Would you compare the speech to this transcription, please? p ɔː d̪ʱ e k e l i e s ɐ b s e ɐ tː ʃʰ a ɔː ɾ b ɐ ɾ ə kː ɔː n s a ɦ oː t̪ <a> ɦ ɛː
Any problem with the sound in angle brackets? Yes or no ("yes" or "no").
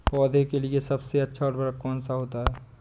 no